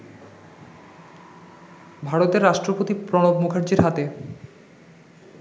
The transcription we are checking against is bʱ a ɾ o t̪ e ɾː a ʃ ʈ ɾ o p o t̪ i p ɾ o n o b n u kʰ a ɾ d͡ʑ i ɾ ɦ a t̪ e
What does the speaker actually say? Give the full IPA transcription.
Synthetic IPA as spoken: bʱ a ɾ o t̪ e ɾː a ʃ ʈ ɾ o p o t̪ i p ɾ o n o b m u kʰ a ɾ d͡ʑ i ɾ ɦ a t̪ e